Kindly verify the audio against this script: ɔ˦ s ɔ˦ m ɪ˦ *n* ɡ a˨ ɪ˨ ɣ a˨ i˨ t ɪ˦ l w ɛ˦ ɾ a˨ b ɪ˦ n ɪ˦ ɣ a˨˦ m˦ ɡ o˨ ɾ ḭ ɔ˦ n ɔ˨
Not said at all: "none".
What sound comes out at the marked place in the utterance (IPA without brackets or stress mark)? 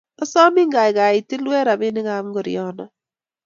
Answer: ŋ